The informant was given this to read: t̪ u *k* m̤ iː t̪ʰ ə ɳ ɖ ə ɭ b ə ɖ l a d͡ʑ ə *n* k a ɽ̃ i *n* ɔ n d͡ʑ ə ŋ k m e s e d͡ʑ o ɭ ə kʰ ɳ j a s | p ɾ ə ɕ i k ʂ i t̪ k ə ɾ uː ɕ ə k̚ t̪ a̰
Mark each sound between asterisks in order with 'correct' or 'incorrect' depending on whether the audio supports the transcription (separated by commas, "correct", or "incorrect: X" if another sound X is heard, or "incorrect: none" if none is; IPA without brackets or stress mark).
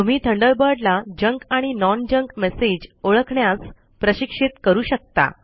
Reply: incorrect: none, incorrect: ŋ, correct